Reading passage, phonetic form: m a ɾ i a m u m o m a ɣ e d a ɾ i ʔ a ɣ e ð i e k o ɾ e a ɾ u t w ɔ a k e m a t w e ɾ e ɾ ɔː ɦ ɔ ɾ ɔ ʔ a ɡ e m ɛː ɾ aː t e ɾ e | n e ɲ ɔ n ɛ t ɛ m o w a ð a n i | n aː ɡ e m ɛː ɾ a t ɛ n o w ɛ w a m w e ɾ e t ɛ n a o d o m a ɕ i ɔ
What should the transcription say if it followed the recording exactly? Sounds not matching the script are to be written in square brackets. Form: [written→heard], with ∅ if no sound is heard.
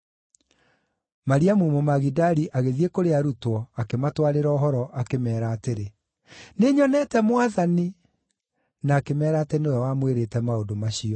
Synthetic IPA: m a ɾ i a m u m o m a ɣ [e→i] d a ɾ i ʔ a ɣ e ð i e k o ɾ e a ɾ u t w ɔ a k e m a t w [e→a] ɾ e ɾ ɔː ɦ ɔ ɾ ɔ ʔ a [ɡ→k] e m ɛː ɾ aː t e ɾ e | n e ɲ ɔ n ɛ t ɛ m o w a ð a n i | n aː [ɡ→k] e m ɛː ɾ a t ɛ n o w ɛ w a m w e ɾ e t ɛ [n→m] a o d o m a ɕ i ɔ